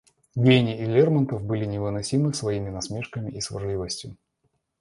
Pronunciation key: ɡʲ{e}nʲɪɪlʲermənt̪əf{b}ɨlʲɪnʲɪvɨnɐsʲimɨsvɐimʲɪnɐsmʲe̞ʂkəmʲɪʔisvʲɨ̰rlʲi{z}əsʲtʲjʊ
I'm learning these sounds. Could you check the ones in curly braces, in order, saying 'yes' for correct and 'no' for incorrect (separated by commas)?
yes, yes, no